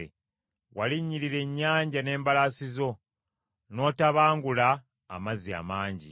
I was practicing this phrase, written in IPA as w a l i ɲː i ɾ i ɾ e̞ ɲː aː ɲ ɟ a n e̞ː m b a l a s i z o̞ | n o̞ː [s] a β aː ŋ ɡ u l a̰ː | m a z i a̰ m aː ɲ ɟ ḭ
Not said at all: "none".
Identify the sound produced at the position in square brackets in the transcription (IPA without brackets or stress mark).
t